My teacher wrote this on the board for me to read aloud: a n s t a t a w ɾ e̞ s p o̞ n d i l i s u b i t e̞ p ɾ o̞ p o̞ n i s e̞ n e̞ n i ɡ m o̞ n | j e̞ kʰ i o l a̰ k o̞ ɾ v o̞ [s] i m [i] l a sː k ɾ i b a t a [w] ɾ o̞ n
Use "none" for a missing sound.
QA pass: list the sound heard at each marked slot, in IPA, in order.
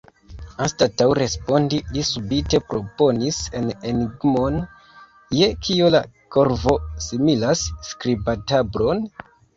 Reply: s, i, b

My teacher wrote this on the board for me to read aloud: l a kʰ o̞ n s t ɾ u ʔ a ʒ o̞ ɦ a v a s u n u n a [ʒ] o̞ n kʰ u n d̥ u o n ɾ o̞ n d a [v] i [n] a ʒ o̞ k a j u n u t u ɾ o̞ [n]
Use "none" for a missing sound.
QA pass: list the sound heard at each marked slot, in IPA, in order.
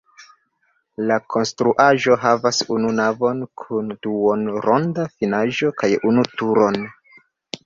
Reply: v, f, n, n

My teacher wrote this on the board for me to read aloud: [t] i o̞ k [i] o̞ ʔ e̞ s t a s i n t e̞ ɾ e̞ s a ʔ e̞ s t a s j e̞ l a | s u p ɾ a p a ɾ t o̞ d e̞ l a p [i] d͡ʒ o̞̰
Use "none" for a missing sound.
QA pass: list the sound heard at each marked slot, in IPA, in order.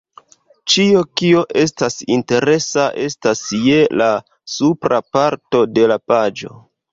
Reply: t͡ʃ, i, a

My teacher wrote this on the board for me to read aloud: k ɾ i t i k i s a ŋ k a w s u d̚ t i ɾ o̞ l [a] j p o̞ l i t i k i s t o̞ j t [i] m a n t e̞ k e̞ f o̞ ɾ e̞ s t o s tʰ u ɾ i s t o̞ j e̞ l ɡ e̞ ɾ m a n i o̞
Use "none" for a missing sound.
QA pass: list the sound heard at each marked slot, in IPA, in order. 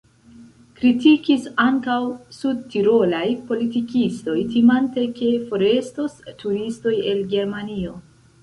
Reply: a, i

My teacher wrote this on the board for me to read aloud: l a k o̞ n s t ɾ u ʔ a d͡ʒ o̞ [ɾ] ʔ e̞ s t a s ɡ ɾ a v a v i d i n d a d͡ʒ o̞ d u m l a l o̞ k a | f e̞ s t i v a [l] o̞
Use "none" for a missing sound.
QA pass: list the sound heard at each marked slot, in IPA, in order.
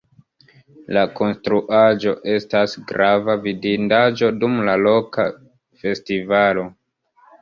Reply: none, l

